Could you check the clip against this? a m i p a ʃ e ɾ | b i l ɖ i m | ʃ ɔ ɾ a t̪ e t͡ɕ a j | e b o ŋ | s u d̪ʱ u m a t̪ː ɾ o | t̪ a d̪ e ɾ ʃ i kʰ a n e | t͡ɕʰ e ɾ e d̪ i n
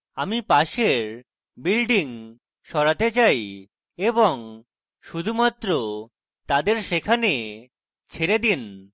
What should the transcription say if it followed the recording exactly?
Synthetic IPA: a m i p a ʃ e ɾ | b i l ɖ i ŋ | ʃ ɔ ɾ a t̪ e t͡ɕ a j | e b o ŋ | ʃ u d̪ʱ u m a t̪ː ɾ o | t̪ a d̪ e ɾ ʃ e kʰ a n e | t͡ɕʰ e ɾ e d̪ i n